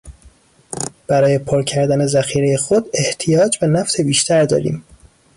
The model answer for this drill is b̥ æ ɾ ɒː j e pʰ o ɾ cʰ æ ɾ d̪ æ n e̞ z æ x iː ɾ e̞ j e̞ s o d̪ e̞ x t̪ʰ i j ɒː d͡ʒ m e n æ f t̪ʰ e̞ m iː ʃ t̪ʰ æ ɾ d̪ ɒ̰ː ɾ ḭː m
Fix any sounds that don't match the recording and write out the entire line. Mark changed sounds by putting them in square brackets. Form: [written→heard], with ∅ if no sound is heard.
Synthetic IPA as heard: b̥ æ ɾ ɒː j e pʰ o ɾ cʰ æ ɾ d̪ æ n e̞ z æ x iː ɾ e̞ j e̞ [s→x] o d̪ e̞ [x→h] t̪ʰ i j ɒː d͡ʒ [m→b] e n æ f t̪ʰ e̞ [m→b] iː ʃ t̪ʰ æ ɾ d̪ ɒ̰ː ɾ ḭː m